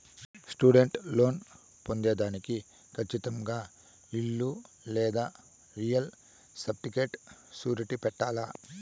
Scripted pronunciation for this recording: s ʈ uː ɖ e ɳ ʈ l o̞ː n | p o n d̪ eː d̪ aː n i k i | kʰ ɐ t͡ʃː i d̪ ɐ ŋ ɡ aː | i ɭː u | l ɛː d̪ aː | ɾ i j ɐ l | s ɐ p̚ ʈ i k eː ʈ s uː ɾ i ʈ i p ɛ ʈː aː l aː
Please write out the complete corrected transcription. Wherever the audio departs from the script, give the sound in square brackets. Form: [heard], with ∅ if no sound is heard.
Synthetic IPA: s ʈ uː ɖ e ɳ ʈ l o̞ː n | p o n d̪ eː d̪ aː n i k i | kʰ ɐ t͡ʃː i [t̪] ɐ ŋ ɡ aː | i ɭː u | l ɛː d̪ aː | ɾ i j ɐ l | s ɐ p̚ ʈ i k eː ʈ s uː ɾ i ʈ i p ɛ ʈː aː l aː

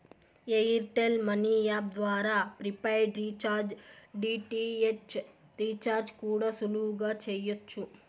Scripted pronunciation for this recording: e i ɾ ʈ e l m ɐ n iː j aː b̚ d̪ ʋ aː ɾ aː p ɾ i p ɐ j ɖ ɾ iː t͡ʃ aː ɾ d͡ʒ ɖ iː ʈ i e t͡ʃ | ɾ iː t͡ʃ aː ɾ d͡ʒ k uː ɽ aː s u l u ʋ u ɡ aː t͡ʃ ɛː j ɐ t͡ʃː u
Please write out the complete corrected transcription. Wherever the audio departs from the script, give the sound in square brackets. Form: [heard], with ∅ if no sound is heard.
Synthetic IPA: e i ɾ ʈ e l m ɐ n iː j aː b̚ d̪ ʋ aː ɾ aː p ɾ i p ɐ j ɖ ɾ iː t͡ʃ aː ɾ d͡ʒ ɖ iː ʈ i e t͡ʃ | ɾ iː t͡ʃ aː ɾ d͡ʒ k uː ɽ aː s u l u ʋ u ɡ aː t͡ʃ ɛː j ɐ t͡ʃː u

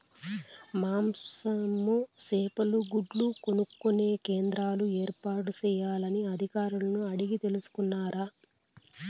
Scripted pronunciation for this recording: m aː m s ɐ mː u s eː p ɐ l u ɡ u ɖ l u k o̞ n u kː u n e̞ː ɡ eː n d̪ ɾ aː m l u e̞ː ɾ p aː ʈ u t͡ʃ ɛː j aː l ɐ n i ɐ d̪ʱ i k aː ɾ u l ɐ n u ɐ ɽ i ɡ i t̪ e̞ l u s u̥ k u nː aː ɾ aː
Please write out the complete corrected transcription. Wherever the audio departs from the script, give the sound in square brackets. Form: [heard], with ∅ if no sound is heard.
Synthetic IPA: m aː m s ɐ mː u s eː p ɐ l u ɡ u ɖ l u k o̞ n u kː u n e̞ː [k] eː n d̪ ɾ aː [∅] l u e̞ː ɾ p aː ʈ u t͡ʃ ɛː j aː l ɐ n i ɐ d̪ʱ i k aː ɾ u l ɐ n u ɐ ɽ i ɡ i t̪ e̞ l u s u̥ k u nː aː ɾ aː

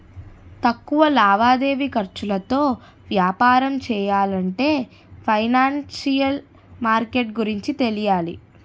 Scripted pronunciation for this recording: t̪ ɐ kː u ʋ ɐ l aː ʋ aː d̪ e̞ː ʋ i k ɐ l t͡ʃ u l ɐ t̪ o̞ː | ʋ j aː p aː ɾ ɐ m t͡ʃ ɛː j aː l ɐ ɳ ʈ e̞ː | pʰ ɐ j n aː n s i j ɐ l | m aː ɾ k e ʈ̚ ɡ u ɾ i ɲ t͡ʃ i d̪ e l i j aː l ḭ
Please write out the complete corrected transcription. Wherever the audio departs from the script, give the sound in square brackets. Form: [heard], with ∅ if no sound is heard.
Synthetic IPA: t̪ ɐ kː u ʋ ɐ l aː ʋ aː d̪ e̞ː ʋ i k ɐ [ɾ] t͡ʃ u l ɐ t̪ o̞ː | ʋ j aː p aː ɾ ɐ m t͡ʃ ɛː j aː l ɐ ɳ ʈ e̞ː | pʰ ɐ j n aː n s i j ɐ l | m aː ɾ k e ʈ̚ ɡ u ɾ i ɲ t͡ʃ i [t̪] e l i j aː l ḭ

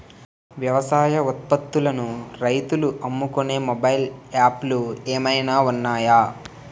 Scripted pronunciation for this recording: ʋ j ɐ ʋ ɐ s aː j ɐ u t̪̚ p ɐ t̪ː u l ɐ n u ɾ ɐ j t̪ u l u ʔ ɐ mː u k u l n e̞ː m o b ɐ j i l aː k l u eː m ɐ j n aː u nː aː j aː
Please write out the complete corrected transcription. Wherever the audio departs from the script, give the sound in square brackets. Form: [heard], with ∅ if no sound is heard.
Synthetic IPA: ʋ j ɐ ʋ ɐ s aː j ɐ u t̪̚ p ɐ t̪ː u l ɐ n u ɾ ɐ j t̪ u l u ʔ ɐ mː u k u [∅] n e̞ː m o b ɐ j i l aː [p] l u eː m ɐ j n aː u nː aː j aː

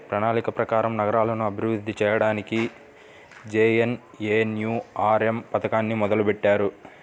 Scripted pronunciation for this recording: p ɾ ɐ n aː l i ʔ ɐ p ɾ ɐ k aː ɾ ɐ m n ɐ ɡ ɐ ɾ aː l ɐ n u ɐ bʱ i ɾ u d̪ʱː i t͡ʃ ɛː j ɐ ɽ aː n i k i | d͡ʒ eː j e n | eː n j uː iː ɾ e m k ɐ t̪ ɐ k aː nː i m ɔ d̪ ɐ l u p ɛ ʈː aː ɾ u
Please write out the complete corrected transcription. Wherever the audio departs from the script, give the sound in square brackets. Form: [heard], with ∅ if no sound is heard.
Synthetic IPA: p ɾ ɐ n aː l i [k] ɐ p ɾ ɐ k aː ɾ ɐ m n ɐ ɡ ɐ ɾ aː l ɐ n u ɐ bʱ i ɾ u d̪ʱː i t͡ʃ ɛː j ɐ ɽ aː n i k i | d͡ʒ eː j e n | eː n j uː [aː] ɾ e m [p] ɐ t̪ ɐ k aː nː i m ɔ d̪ ɐ l u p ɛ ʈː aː ɾ u

